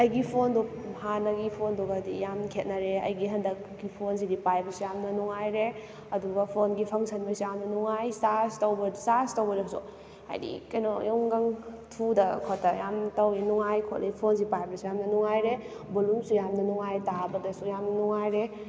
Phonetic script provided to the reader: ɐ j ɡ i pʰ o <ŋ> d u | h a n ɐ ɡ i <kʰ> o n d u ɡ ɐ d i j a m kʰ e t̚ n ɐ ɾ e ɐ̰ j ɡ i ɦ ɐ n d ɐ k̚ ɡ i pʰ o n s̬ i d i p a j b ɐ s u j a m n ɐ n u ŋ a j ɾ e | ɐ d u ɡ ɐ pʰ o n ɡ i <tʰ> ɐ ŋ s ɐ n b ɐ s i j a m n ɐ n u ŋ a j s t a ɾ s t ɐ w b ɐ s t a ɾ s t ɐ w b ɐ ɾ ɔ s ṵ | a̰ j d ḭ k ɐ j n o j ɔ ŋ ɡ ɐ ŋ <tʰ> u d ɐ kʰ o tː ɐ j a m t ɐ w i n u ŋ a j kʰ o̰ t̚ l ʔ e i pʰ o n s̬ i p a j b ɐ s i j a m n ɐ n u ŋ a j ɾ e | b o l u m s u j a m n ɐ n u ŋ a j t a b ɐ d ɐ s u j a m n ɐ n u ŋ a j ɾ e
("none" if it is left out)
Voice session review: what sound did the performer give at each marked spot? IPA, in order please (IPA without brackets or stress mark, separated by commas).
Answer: n, pʰ, pʰ, tʰ